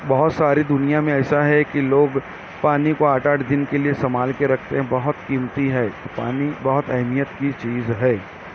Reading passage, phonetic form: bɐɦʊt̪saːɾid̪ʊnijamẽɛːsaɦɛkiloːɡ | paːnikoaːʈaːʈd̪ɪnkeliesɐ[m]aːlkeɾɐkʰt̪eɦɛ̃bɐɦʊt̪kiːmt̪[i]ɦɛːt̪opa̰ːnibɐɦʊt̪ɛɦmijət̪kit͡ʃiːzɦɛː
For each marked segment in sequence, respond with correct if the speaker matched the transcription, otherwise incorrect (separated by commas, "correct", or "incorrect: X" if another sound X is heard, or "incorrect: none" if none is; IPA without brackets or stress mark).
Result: correct, correct